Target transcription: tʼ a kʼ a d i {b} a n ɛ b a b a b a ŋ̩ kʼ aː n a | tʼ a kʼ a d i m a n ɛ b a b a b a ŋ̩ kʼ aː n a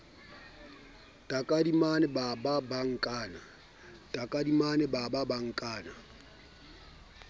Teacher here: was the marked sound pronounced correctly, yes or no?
no